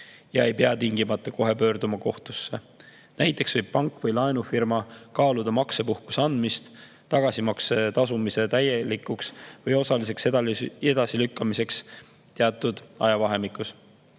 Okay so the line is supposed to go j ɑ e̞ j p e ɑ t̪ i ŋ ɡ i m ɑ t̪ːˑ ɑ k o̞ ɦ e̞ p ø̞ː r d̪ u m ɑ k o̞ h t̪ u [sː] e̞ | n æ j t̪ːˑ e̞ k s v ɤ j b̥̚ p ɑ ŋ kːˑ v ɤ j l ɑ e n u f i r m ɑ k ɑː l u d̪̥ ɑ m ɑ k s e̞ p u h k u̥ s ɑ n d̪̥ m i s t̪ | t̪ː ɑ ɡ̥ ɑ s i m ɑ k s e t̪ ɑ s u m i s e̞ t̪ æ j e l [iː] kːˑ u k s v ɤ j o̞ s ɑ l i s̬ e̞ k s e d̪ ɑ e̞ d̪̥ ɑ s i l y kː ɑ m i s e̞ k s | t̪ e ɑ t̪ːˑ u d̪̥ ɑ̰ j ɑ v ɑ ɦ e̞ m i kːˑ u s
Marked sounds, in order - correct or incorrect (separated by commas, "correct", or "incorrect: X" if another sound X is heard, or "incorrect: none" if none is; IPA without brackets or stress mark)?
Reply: correct, incorrect: i